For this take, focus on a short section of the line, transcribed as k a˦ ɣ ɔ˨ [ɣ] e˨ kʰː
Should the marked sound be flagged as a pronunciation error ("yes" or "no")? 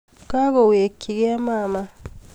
yes